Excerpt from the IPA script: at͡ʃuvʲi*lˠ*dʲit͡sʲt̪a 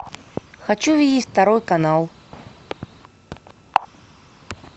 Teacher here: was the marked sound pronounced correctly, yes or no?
no